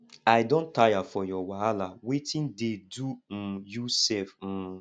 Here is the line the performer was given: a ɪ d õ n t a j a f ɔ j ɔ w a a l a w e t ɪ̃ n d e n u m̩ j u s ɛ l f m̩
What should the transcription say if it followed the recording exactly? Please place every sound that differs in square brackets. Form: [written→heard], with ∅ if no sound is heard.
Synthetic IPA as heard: a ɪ d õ n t a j a f ɔ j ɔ w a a l a w e t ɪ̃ n d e [n→d] u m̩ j u s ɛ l f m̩